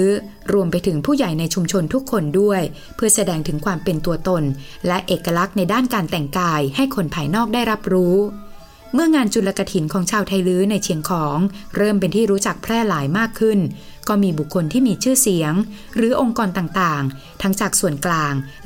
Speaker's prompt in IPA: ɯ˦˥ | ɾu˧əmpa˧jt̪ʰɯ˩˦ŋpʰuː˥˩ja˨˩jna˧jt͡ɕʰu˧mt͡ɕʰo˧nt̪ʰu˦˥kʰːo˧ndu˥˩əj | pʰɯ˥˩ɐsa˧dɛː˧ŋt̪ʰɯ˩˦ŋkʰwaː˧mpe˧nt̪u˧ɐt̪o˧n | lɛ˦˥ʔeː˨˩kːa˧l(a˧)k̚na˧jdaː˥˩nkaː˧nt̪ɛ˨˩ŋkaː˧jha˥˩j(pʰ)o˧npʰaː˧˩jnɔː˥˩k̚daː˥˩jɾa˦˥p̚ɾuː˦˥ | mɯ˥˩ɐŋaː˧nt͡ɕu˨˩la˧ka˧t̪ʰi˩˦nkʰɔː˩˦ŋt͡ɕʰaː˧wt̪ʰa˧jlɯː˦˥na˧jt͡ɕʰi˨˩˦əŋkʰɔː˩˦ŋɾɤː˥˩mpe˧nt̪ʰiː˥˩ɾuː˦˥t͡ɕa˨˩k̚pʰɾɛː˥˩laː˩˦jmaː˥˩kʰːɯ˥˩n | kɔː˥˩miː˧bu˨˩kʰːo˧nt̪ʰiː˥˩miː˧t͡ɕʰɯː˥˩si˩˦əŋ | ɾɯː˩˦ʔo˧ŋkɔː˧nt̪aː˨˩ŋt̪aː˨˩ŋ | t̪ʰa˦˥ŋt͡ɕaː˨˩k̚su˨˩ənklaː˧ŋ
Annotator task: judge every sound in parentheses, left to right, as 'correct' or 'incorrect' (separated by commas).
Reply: incorrect, incorrect